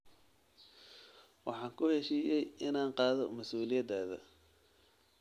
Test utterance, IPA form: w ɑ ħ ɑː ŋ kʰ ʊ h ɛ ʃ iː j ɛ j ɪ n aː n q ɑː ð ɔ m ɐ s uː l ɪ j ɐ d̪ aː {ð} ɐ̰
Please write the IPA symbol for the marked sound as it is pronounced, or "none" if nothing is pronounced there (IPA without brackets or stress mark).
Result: ð